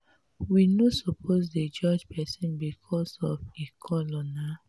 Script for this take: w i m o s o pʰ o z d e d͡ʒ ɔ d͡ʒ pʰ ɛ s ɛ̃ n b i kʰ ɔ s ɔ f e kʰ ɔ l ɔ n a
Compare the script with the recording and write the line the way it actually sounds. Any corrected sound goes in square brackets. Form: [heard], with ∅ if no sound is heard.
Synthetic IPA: w i [n] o s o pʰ o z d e d͡ʒ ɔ d͡ʒ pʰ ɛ s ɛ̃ n b i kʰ ɔ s ɔ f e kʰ ɔ l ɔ n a